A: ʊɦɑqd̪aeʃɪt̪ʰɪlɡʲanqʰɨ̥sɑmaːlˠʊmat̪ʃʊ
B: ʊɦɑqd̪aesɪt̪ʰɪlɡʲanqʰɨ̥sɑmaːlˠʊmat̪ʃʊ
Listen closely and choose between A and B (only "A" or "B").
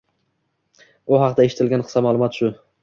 A